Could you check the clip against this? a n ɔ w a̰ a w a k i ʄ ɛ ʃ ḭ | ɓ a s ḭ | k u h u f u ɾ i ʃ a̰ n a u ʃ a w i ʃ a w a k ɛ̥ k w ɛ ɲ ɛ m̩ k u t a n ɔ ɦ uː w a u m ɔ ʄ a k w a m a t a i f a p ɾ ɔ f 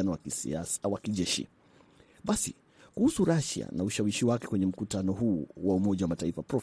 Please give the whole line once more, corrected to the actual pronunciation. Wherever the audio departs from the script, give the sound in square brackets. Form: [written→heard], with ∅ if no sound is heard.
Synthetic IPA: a n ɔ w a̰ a w a k i ʄ ɛ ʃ ḭ | ɓ a s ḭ | k u h u [f→s] u ɾ [i→a] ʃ a̰ n a u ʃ a w i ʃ [a→i] w a k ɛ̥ k w ɛ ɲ ɛ m̩ k u t a n ɔ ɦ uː w a u m ɔ ʄ a [k→∅] w a m a t a i f a p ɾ ɔ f